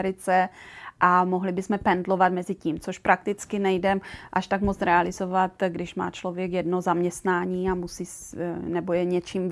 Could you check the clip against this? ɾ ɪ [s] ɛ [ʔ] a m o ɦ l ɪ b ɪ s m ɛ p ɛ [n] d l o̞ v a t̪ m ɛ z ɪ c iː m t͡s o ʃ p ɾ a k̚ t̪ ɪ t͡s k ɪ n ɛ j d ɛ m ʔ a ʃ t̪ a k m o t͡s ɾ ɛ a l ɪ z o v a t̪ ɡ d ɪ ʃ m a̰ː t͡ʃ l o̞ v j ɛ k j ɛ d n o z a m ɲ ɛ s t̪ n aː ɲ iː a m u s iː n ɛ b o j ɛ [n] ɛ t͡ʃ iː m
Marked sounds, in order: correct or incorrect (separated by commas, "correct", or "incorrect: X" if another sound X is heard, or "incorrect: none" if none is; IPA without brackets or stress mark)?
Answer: incorrect: t͡s, correct, correct, incorrect: ɲ